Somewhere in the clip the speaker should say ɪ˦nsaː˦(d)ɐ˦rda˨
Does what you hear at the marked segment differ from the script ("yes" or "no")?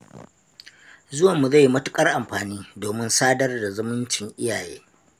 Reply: no